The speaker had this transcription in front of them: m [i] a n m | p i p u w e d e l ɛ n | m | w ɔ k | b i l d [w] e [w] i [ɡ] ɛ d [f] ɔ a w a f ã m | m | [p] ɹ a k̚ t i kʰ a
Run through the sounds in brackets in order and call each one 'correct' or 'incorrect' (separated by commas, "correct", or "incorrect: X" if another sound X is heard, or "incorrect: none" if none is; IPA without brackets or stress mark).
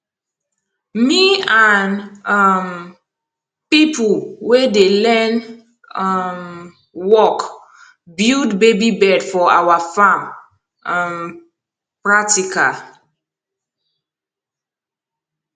correct, incorrect: b, incorrect: b, incorrect: b, correct, correct